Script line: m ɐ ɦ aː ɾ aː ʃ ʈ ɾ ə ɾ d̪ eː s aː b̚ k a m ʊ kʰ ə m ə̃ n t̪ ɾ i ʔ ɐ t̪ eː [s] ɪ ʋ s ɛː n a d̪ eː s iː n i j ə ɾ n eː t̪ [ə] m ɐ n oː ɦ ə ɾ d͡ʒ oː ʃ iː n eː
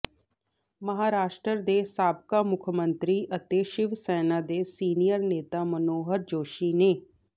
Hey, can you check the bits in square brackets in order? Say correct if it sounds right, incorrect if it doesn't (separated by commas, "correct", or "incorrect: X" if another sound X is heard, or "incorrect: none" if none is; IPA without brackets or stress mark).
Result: incorrect: ʃ, incorrect: a